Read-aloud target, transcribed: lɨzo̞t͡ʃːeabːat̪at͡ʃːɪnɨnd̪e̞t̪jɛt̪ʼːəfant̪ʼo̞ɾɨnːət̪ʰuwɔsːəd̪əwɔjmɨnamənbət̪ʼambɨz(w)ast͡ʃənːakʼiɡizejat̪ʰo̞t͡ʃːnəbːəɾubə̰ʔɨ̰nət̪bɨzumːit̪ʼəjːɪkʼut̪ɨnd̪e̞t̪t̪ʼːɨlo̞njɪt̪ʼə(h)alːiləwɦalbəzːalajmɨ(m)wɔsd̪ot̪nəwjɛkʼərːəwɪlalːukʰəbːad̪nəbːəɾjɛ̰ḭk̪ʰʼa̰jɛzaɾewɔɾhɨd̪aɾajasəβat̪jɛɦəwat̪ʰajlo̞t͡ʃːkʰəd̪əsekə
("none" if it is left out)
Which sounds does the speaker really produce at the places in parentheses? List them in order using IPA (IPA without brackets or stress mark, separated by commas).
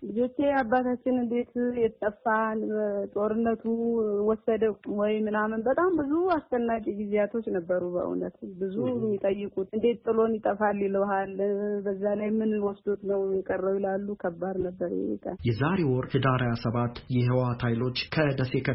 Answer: u, f, n